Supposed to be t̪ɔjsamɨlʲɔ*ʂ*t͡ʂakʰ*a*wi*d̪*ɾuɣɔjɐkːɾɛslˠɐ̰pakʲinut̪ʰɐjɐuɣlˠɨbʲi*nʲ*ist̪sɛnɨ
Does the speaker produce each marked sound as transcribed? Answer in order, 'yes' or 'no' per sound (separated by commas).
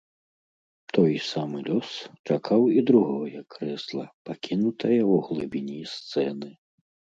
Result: no, yes, yes, yes